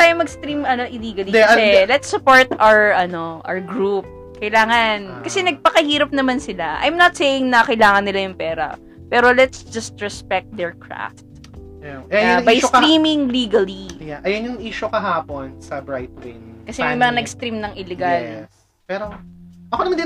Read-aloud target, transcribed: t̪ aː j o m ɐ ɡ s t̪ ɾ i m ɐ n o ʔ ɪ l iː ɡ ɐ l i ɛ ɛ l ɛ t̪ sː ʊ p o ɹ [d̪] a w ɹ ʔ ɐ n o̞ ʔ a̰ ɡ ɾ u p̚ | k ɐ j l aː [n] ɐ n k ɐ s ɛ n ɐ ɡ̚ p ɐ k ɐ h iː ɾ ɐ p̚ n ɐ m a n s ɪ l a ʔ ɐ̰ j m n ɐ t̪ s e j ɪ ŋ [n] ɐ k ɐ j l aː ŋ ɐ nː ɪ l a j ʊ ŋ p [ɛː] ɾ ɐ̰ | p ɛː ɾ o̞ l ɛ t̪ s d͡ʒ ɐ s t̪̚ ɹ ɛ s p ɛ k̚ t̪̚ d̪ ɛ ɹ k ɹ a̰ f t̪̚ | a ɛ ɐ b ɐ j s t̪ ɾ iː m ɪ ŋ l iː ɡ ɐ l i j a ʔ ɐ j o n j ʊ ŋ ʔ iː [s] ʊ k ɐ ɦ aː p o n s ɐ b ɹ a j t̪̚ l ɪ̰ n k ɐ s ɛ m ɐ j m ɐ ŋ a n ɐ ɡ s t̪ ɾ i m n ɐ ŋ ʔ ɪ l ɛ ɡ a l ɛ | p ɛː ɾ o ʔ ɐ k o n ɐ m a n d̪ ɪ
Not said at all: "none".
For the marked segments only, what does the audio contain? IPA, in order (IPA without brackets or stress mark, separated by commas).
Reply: t̪, ŋ, n, ɛː, ʃ